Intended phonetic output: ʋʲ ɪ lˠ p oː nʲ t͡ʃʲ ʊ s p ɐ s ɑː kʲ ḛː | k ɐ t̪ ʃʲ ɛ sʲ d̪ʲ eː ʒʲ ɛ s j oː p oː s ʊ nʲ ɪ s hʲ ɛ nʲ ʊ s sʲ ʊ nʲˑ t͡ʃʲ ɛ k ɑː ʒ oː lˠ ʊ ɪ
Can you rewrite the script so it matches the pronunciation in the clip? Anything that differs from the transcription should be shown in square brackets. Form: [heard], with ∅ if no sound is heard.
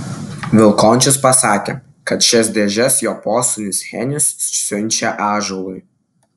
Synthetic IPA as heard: ʋʲ ɪ lˠ [k] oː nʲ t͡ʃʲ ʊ s p ɐ s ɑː kʲ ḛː | k ɐ t̪ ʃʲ ɛ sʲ d̪ʲ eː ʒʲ ɛ s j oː p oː s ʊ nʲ ɪ s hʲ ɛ nʲ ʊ s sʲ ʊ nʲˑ t͡ʃʲ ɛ [ʔ] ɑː ʒ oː lˠ ʊ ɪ